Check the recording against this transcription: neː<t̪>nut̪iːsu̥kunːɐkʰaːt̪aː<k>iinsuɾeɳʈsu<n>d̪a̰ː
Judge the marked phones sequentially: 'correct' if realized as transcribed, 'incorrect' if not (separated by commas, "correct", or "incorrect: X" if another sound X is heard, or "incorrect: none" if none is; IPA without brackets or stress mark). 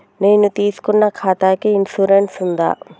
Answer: incorrect: none, correct, correct